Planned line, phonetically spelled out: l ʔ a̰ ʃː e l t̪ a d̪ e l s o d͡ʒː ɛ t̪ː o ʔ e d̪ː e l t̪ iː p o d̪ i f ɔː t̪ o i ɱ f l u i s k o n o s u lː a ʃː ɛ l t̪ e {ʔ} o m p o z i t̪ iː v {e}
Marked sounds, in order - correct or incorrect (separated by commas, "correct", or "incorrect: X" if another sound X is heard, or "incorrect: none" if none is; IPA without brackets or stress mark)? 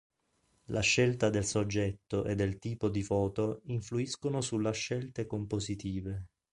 incorrect: k, correct